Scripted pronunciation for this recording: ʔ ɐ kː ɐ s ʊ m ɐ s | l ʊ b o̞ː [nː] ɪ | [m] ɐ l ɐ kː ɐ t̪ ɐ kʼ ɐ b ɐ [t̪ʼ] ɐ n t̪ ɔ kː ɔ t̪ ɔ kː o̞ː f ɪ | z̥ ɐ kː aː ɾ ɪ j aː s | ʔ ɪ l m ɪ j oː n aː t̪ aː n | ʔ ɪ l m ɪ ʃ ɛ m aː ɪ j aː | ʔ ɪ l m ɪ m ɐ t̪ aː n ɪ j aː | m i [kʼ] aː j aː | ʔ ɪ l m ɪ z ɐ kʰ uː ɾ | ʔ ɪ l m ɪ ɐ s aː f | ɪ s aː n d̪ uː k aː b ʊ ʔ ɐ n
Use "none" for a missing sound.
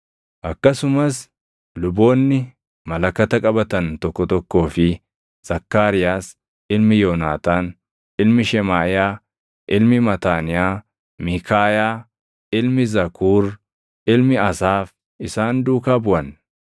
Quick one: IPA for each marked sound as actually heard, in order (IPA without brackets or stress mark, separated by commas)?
nː, m, t̪, k